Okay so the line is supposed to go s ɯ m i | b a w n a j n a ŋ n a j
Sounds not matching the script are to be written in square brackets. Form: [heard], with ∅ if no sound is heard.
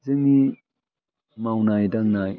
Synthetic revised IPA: [z] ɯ [ŋ] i | [m] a w n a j [d] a ŋ n a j

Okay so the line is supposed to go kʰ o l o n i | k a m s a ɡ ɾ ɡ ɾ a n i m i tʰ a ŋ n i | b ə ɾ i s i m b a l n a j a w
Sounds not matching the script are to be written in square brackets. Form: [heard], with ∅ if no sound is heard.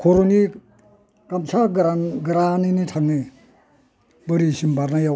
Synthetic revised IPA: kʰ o [ɾ] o n i | k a m s a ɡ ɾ ɡ ɾ a n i [n] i tʰ a ŋ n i | b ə ɾ i s i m b a [ɾ] n a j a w

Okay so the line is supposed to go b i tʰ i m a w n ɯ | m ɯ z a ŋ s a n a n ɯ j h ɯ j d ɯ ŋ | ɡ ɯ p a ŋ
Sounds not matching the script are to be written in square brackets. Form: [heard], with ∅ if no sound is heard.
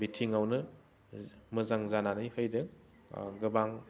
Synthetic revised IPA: b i tʰ i [ŋ] a w n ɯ | m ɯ z a ŋ [z] a n a n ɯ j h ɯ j d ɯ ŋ | ɡ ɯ [b] a ŋ

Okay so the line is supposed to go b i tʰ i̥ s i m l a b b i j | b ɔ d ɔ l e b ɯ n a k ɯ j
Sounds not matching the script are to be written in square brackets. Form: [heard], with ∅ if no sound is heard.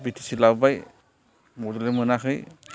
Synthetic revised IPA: b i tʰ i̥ s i [∅] l a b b [a] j | [m] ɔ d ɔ l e [m] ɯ n a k ɯ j

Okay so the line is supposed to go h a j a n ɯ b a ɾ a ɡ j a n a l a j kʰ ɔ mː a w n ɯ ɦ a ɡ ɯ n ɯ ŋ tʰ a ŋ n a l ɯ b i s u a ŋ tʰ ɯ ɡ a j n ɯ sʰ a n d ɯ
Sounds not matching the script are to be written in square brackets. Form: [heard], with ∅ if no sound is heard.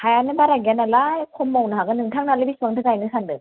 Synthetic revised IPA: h a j a n ɯ b a ɾ a ɡ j a n a l a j kʰ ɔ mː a w n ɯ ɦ a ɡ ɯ n ɯ ŋ tʰ a ŋ n a l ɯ b i s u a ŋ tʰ ɯ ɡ a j n ɯ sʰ a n d ɯ

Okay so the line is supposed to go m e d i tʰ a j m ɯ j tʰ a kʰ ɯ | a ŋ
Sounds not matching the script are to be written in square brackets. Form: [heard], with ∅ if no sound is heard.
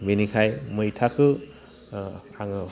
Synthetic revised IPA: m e [n] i [kʰ] a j m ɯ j tʰ a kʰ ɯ | a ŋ

